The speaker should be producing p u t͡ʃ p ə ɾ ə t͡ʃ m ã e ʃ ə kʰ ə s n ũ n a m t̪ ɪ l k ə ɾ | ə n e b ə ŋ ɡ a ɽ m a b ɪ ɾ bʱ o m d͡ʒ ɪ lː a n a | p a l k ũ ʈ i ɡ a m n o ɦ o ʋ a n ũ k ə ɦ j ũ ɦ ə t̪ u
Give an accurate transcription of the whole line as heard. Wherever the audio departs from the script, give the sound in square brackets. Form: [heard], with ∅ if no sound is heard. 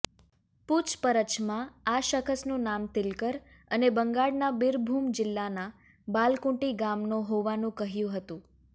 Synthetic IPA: p u t͡ʃ p ə ɾ ə t͡ʃ m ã [a] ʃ ə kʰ ə s n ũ n a m t̪ ɪ l k ə ɾ | ə n e b ə ŋ ɡ a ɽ [n] a b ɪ ɾ bʱ [u] m d͡ʒ ɪ lː a n a | [b] a l k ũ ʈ i ɡ a m n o ɦ o ʋ a n ũ k ə ɦ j ũ ɦ ə t̪ [ũ]